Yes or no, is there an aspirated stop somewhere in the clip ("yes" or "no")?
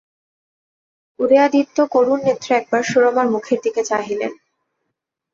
yes